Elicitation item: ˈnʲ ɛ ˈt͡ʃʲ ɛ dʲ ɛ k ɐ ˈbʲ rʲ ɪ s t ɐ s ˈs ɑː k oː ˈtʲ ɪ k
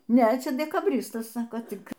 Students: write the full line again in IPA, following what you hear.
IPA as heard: ˈnʲ ɛ ˈt͡ʃʲ ɛ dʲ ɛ k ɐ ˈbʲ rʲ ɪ s t ɐ s ˈs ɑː k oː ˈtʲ ɪ k

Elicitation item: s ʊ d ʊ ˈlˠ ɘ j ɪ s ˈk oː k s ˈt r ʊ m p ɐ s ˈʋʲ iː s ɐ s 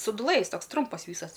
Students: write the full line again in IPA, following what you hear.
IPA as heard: s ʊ d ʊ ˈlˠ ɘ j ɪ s ˈt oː k s ˈt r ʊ m p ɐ s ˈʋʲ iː s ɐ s

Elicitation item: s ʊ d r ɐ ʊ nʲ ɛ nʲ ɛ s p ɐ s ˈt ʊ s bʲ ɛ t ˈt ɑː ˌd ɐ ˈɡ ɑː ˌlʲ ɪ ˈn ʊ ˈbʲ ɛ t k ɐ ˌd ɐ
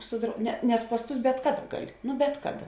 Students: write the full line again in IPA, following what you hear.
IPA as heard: s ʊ d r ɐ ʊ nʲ ɛ nʲ ɛ s p ɐ s ˈt ʊ s bʲ ɛ t ˈk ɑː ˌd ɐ ˈɡ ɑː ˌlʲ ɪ ˈn ʊ ˈbʲ ɛ t k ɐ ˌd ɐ

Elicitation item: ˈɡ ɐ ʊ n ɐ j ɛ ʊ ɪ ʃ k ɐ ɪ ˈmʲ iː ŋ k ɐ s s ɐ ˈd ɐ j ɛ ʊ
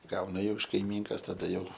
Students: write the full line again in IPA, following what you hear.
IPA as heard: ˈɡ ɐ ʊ n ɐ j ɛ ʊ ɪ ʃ k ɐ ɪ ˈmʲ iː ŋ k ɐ s t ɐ ˈd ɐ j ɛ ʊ

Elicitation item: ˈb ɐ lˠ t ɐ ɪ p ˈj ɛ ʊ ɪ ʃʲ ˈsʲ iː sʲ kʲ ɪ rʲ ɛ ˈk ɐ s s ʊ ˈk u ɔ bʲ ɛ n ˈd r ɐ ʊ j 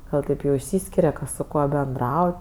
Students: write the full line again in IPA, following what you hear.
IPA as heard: ˈɡ ɐ lˠ t ɐ ɪ p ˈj ɛ ʊ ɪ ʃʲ ˈsʲ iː sʲ kʲ ɪ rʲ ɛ ˈk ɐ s s ʊ ˈk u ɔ bʲ ɛ n ˈd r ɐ ʊ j

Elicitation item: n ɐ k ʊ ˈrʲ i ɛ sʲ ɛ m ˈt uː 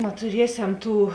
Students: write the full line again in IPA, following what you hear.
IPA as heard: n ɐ t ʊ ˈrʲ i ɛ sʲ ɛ m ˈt uː

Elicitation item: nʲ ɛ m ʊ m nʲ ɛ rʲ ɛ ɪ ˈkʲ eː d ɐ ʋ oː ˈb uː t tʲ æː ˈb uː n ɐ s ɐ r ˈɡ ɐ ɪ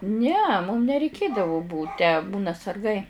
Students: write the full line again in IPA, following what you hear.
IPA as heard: nʲ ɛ m ʊ m nʲ ɛ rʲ ɛ ɪ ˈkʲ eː d ɐ ʋ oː ˈb uː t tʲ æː ˈb uː n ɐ s ɐ r ˈɡ ɐ ɪ

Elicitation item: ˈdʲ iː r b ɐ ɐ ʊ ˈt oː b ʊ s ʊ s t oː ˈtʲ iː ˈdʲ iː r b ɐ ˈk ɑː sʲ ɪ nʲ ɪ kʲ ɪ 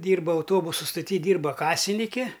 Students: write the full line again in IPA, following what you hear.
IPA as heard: ˈdʲ iː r b ɐ ɐ ʊ ˈt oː b ʊ s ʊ s t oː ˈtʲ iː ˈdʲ iː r b ɐ ˈk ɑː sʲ ɪ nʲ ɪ kʲ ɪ

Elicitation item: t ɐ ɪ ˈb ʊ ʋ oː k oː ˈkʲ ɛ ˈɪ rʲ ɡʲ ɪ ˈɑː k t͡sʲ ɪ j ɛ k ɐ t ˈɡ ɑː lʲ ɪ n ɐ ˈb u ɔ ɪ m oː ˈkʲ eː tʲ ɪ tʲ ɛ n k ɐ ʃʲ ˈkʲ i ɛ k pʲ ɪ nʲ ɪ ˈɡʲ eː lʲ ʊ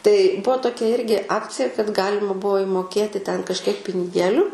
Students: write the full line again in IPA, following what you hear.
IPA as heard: t ɐ ɪ ˈb ʊ ʋ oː t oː ˈkʲ ɛ ˈɪ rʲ ɡʲ ɪ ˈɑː k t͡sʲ ɪ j ɛ k ɐ t ˈɡ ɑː lʲ ɪ m ɐ ˈb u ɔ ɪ m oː ˈkʲ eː tʲ ɪ tʲ ɛ n k ɐ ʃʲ ˈkʲ i ɛ k pʲ ɪ nʲ ɪ ˈɡʲ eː lʲ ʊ

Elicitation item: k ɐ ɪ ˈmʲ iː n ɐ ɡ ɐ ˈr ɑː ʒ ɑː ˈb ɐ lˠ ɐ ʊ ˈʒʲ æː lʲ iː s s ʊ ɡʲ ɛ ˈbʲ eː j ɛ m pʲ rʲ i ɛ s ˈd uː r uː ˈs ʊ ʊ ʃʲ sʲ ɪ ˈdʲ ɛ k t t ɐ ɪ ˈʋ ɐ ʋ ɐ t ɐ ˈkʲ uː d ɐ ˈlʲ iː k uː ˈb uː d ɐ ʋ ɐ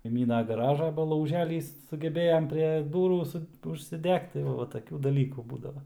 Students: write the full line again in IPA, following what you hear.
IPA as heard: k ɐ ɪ ˈmʲ iː n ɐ ɡ ɐ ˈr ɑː ʒ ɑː ˈb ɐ lˠ ɐ ʊ ˈʒʲ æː lʲ iː s s ʊ ɡʲ ɛ ˈbʲ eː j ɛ m pʲ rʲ i ɛ ˈd uː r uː ˈs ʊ ʊ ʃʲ sʲ ɪ ˈdʲ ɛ k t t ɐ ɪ ˈʋ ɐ ʋ ɐ t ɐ ˈkʲ uː d ɐ ˈlʲ iː k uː ˈb uː d ɐ ʋ ɐ

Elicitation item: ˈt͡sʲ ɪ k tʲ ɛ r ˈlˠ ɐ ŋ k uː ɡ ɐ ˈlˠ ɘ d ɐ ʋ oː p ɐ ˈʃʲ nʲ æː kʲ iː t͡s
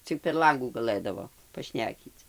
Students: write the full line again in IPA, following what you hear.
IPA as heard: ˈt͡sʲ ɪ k pʲ ɛ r ˈlˠ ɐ ŋ ɡ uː ɡ ɐ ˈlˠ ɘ d ɐ ʋ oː p ɐ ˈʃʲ nʲ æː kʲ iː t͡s

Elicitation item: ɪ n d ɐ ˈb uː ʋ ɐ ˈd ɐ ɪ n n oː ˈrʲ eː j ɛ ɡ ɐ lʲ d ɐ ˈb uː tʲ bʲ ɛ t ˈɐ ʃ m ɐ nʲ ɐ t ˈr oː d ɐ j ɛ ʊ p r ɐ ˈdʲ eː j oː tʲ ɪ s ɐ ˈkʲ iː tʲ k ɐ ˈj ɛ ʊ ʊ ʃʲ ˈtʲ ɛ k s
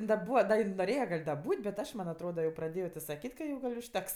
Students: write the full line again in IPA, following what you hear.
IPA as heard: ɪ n d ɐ ˈb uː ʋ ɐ ˈd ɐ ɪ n n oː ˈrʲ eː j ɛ ɡ ɐ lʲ d ɐ ˈb uː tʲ bʲ ɛ t ˈɐ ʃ m ɐ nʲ ɐ t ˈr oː d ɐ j ɛ ʊ p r ɐ ˈdʲ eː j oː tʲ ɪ s ɐ ˈkʲ iː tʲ k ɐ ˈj ɛ ʊ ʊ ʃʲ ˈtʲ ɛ k s

